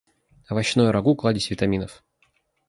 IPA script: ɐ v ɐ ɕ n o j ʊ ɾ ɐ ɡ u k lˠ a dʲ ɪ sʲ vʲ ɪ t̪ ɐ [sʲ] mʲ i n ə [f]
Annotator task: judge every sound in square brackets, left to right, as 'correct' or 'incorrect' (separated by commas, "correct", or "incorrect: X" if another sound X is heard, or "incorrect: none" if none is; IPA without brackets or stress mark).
incorrect: none, correct